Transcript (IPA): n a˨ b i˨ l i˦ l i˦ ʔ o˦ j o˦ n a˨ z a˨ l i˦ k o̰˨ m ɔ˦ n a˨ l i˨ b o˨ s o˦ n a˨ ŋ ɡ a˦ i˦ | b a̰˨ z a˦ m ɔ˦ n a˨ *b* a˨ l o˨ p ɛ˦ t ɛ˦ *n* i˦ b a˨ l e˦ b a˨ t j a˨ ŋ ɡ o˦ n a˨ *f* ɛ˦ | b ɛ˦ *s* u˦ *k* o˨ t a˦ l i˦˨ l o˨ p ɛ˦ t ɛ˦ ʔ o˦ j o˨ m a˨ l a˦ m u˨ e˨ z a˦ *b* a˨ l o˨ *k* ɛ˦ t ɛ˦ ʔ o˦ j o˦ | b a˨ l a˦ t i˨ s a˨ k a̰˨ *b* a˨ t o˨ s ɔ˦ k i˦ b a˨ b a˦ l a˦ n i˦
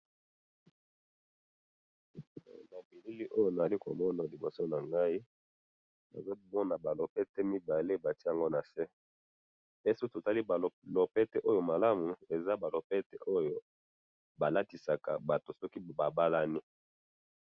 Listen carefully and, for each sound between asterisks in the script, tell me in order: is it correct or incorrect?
correct, incorrect: m, incorrect: s, correct, incorrect: t, correct, incorrect: p, correct

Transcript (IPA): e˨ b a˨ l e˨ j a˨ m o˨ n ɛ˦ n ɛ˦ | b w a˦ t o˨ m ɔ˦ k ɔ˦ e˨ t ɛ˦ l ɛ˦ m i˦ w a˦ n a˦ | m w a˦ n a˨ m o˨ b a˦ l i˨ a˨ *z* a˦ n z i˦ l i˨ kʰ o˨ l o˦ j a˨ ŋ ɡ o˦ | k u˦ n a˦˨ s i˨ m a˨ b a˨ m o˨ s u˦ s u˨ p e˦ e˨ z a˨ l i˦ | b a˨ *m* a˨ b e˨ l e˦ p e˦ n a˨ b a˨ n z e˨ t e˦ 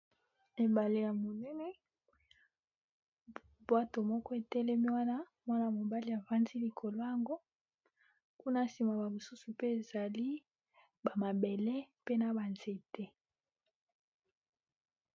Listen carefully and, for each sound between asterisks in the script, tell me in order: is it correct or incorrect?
incorrect: v, correct

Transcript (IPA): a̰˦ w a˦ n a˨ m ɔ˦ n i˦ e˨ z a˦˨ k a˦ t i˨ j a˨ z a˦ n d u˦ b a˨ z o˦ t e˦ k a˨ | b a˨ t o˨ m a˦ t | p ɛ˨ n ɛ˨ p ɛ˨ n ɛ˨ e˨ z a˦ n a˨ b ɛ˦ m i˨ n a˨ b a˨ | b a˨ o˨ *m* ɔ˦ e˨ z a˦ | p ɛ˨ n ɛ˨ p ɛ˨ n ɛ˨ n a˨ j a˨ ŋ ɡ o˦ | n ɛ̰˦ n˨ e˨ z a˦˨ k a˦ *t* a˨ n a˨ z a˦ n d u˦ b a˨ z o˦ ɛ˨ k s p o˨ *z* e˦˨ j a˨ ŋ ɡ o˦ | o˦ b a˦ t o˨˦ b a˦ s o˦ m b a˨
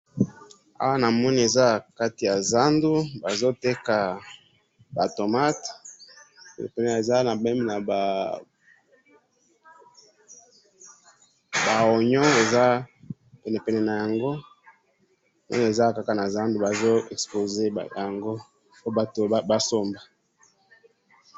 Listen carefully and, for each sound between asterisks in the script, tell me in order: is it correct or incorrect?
incorrect: ɲ, incorrect: k, correct

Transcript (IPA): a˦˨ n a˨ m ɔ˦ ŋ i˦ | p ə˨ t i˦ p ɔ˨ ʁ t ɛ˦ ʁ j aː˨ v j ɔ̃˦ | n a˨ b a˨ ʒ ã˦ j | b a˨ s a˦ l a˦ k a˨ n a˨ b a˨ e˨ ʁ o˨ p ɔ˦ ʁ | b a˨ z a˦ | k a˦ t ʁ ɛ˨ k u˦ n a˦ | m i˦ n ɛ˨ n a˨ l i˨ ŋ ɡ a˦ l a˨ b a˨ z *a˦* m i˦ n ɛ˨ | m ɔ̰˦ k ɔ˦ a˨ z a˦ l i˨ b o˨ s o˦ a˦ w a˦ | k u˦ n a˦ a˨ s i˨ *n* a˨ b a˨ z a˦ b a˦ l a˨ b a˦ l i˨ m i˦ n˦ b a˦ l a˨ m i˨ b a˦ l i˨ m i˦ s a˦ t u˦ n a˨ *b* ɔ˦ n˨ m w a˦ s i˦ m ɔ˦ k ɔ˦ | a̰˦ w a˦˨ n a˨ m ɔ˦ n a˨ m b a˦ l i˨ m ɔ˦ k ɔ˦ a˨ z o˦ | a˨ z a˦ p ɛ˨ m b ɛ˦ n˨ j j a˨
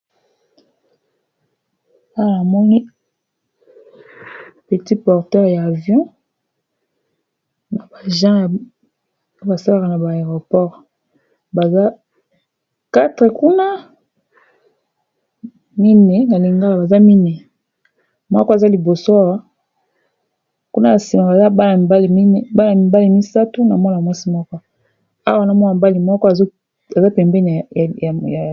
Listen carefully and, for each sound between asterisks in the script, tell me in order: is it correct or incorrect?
correct, incorrect: m, incorrect: m

